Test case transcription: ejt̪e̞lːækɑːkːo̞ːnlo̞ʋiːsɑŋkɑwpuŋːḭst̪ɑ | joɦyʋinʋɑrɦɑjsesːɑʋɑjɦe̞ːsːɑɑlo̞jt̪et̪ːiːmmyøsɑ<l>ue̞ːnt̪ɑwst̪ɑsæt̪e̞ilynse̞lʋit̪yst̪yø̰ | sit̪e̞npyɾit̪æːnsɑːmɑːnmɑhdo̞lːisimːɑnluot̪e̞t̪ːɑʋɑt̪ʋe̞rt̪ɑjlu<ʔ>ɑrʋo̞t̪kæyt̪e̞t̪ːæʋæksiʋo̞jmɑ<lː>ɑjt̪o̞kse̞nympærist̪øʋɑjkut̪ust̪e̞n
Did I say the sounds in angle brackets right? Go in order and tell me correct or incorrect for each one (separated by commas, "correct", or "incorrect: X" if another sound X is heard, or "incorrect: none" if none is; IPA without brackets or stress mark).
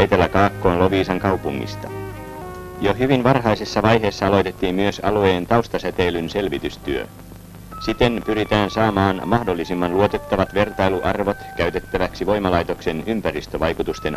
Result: correct, correct, incorrect: l